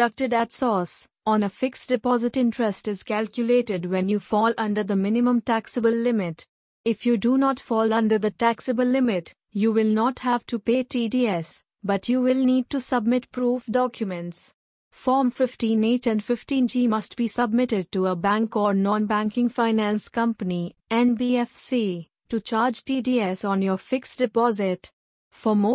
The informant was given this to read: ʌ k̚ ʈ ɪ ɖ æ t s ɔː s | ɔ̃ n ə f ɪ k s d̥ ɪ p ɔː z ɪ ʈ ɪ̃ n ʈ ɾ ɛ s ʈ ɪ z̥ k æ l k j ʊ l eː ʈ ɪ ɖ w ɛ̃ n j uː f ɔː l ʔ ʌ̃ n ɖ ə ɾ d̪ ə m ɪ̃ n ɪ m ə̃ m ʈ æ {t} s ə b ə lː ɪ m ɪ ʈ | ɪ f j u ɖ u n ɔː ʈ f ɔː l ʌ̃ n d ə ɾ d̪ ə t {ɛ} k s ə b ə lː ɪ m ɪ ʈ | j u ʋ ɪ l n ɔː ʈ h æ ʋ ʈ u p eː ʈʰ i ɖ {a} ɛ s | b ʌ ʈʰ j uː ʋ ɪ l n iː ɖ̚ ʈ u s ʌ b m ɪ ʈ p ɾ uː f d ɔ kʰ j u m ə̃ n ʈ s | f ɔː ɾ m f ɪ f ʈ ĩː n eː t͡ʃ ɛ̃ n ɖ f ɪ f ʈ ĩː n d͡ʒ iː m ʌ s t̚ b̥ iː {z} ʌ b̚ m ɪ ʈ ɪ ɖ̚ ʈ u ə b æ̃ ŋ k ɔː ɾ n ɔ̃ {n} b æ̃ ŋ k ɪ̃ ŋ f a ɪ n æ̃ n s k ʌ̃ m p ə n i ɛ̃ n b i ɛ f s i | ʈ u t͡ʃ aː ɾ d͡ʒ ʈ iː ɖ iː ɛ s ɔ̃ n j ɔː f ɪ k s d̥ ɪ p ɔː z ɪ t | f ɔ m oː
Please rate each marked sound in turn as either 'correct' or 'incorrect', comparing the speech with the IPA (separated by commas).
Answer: incorrect, incorrect, incorrect, incorrect, correct